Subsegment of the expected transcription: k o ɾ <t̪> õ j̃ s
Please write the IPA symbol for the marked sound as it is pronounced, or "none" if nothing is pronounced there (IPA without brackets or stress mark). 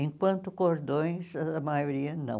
d̪